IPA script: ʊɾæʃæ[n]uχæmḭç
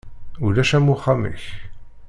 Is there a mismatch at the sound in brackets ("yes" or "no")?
yes